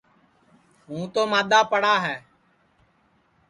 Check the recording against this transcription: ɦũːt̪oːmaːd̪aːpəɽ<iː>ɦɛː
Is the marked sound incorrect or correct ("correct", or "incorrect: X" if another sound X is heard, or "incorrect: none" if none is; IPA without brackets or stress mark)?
incorrect: aː